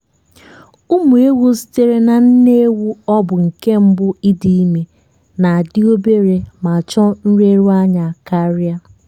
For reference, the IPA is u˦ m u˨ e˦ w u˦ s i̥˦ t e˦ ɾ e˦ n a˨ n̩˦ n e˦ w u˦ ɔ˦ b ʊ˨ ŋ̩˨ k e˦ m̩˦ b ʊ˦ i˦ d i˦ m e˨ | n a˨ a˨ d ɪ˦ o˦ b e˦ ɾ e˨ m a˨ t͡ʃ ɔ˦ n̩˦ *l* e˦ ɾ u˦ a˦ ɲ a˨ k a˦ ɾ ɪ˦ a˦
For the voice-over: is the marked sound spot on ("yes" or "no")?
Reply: no